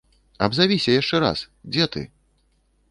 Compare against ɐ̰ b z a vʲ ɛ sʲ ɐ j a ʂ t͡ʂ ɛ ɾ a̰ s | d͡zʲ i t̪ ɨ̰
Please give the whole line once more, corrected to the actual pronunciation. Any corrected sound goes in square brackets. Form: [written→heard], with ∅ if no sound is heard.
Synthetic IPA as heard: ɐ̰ b z a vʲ [ɛ→i] sʲ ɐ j a ʂ t͡ʂ ɛ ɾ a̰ s | d͡zʲ [i→ɛ] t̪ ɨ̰